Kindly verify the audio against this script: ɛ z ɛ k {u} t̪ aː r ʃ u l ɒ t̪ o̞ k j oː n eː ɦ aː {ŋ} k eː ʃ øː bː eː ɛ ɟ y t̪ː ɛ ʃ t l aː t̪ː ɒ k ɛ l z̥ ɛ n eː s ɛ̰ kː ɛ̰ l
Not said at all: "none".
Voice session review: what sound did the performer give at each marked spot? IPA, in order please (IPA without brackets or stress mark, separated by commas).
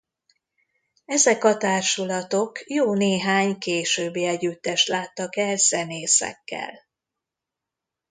ɒ, ɲ